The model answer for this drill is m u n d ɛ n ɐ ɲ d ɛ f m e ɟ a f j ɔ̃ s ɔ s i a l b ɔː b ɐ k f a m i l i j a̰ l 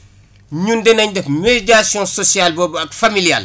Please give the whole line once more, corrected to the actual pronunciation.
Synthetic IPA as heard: ɲ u n d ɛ n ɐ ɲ d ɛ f m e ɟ a s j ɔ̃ s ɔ s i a l b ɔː b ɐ k f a m i l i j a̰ l